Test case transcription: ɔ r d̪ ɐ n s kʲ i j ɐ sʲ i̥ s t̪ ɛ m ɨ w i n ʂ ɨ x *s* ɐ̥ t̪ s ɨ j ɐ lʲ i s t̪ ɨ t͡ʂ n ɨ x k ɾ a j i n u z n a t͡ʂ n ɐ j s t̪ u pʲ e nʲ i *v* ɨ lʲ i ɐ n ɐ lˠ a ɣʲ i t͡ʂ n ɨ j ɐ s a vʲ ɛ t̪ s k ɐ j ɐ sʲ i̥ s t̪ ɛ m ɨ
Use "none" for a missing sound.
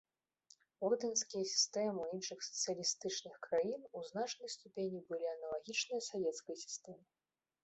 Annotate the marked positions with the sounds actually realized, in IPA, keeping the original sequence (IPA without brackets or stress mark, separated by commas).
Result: s, b